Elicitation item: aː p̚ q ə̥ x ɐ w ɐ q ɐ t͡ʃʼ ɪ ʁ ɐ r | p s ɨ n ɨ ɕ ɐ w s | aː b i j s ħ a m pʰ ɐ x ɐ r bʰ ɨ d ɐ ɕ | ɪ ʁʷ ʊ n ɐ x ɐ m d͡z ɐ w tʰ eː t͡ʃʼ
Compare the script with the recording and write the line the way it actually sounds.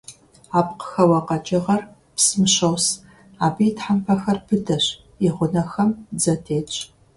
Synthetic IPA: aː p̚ q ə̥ x ɐ w ɐ q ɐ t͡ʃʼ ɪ ʁ ɐ r | p s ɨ m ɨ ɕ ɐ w s | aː b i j t ħ a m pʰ ɐ x ɐ r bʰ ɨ d ɐ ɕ | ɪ ʁʷ ʊ n ɐ x ɐ m d͡z ɐ tʰ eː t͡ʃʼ

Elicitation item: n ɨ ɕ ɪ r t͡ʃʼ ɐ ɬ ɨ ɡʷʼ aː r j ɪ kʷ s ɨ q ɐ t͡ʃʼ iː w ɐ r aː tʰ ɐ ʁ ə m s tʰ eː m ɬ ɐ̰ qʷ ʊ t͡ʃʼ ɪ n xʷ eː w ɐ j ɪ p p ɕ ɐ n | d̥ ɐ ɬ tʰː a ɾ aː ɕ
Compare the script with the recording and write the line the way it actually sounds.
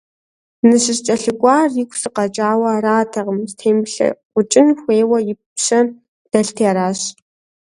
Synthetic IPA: n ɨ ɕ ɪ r t͡ʃʼ ɐ ɬ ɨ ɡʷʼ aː r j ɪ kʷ s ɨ q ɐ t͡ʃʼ aː w ɐ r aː tʰ ɐ ʁ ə m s tʰ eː m ɬ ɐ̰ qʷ ʊ t͡ʃʼ ɪ n xʷ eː w ɐ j ɪ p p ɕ ɐ n | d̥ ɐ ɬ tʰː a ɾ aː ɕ

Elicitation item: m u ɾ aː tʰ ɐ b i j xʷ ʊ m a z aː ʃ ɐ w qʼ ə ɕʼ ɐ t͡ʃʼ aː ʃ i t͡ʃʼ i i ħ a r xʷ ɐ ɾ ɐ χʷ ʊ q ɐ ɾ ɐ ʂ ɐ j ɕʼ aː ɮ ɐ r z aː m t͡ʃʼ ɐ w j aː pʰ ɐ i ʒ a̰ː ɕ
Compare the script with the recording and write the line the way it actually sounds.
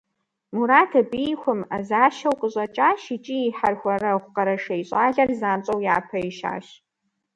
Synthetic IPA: m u ɾ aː tʰ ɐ b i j xʷ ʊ m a z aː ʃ ɐ w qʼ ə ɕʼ ɐ t͡ʃʼ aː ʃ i t͡ʃʼ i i ħ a r xʷ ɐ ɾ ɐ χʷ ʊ q ɐ ɾ ɐ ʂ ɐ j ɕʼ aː ɮ ɐ r z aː m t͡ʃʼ ɐ w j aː pʰ ɐ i ʃ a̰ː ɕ

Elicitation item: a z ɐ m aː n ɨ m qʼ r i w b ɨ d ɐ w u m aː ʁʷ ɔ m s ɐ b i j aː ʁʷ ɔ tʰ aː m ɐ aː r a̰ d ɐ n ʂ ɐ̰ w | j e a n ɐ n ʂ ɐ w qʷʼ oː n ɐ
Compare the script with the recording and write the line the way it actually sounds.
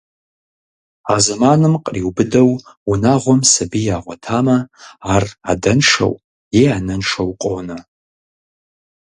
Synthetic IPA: a z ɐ m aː n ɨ m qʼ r i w b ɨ d ɐ w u n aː ʁʷ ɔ m s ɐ b i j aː ʁʷ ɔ tʰ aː m ɐ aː r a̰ d ɐ n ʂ ɐ̰ w | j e a n ɐ n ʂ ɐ w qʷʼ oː n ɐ

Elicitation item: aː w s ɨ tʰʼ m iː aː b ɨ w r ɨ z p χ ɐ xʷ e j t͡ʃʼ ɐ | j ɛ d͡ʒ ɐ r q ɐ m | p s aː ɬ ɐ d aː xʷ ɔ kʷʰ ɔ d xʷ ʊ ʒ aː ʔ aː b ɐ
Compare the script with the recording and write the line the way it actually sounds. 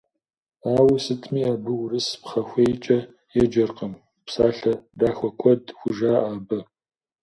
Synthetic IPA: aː w s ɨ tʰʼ m iː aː b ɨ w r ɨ s p χ ɐ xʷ e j t͡ʃʼ ɐ | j ɛ d͡ʒ ɐ r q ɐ m | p s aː ɬ ɐ d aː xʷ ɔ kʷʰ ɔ d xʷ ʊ ʒ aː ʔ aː b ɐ

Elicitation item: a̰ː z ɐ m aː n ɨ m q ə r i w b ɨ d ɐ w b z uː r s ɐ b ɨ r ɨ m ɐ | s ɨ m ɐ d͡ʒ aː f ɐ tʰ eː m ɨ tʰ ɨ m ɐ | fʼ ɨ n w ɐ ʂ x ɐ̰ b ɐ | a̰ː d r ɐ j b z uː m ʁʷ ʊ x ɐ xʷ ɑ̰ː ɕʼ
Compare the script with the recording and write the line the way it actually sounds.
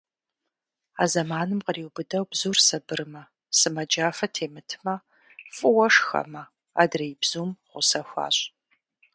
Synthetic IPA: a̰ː z ɐ m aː n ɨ m q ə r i w b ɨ d ɐ w b z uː r s ɐ b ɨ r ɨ m ɐ | s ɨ m ɐ d͡ʒ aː f ɐ tʰ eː m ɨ tʰ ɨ m ɐ | fʼ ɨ w ɐ ʂ x ɐ̰ m ɐ | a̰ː d r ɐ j b z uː m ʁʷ ʊ s ɐ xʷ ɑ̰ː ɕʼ

